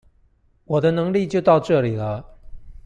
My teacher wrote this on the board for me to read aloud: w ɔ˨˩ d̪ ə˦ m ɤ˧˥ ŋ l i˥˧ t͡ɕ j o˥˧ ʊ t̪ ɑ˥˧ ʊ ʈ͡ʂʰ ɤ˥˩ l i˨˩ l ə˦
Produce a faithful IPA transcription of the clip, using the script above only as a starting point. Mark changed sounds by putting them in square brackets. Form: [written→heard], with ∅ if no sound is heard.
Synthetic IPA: w ɔ˨˩ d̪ ə˦ [m→n] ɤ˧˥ ŋ l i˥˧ t͡ɕ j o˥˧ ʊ t̪ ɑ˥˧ ʊ [ʈ͡ʂʰ→ʈ͡ʂ] ɤ˥˩ l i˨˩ l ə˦